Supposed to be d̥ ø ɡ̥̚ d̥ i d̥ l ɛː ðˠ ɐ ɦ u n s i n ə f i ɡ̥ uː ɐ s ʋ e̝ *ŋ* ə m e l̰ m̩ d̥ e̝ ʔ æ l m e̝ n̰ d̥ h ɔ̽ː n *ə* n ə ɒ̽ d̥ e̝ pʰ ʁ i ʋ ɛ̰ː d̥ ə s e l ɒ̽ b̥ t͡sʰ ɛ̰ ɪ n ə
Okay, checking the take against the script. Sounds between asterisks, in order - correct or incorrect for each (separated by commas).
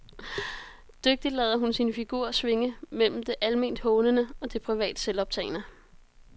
correct, correct